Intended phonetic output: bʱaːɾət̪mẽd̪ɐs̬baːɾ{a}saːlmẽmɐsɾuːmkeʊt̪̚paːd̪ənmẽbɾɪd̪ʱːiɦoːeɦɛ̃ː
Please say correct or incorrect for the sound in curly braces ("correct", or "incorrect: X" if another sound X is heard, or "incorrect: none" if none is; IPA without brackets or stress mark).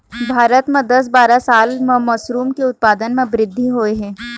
correct